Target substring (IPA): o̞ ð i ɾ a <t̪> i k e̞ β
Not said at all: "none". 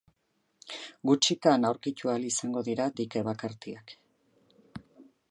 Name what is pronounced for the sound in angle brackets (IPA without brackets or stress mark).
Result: d̪